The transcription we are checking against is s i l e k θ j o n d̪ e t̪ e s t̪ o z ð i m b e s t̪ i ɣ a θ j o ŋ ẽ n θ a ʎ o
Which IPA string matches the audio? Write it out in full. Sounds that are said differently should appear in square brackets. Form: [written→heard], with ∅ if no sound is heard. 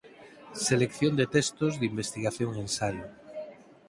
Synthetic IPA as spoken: s [i→e] l e k θ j o n d̪ e t̪ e s t̪ o z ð i m b e s t̪ i ɣ a θ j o ŋ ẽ n [θ→s] a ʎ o

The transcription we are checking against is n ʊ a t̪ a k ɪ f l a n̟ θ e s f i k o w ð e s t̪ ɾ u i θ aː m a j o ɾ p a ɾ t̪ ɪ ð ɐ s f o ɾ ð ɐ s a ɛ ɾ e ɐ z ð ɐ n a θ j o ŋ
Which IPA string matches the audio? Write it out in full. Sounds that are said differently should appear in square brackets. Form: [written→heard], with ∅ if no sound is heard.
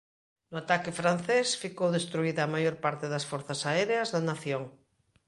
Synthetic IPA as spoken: n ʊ a t̪ a k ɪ f [l→ɾ] a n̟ θ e s f i k o w ð e s t̪ ɾ u i [θ→ð] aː m a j o ɾ p a ɾ t̪ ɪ ð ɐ s f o ɾ [ð→θ] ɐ s a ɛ ɾ e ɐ z ð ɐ n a θ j o ŋ

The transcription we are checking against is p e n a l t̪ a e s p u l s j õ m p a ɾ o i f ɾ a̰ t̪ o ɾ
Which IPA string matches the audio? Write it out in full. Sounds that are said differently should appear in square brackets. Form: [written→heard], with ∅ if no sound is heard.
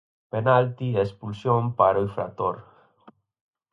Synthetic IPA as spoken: p e n a l t̪ [a→i] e s p u l s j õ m p a ɾ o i f ɾ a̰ t̪ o ɾ

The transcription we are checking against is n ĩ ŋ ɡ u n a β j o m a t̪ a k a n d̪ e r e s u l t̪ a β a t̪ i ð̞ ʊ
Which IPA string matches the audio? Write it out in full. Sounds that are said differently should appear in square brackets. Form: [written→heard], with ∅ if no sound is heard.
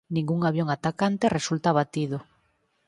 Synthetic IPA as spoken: n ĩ ŋ ɡ u [n→ŋ] a β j o [m→ŋ] a t̪ a k a n [d̪→t̪] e r e s u l t̪ a β a t̪ i ð̞ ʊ

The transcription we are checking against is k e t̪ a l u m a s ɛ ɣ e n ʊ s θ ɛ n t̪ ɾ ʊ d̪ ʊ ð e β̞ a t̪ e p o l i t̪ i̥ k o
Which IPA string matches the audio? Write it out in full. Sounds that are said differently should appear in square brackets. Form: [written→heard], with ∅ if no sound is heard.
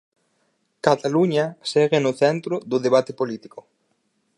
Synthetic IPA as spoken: k [e→a] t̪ a l u [m→ɲ] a s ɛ ɣ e n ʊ [s→∅] θ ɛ n t̪ ɾ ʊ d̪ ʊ ð e β̞ a t̪ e p o l i t̪ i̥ k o

